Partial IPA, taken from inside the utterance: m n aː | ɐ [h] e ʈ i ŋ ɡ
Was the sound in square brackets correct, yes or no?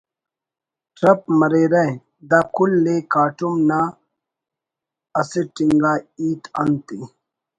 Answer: no